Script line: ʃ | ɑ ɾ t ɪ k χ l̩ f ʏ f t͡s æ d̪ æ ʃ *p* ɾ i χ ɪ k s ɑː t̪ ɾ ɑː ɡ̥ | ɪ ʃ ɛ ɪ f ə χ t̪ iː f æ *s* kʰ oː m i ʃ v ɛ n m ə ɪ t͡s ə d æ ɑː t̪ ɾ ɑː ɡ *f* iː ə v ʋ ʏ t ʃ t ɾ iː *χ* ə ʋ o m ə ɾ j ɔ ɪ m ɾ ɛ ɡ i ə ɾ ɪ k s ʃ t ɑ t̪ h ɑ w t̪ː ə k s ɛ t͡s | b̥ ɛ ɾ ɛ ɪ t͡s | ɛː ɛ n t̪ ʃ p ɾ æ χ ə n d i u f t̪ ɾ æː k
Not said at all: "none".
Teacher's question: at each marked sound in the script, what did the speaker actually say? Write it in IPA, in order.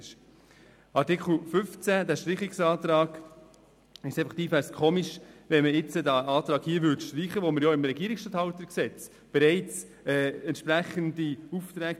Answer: t, s, h, χ

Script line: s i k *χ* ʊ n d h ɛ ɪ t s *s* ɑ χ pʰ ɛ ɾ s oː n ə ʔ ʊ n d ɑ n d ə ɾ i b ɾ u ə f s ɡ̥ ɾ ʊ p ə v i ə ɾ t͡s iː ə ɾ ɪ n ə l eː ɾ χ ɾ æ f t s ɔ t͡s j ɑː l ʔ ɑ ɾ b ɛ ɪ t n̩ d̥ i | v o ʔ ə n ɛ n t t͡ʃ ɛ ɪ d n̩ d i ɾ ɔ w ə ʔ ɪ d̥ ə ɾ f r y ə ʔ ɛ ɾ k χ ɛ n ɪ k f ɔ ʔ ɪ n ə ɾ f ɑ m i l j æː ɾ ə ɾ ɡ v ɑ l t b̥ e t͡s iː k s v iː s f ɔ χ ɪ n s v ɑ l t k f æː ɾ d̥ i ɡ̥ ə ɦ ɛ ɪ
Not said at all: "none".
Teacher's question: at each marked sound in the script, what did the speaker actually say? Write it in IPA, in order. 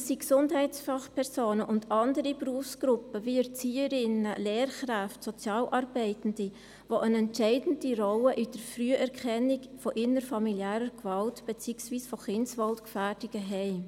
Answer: s, f

